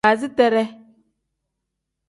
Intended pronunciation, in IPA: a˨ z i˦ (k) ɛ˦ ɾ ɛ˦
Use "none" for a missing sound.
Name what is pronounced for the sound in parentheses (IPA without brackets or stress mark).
t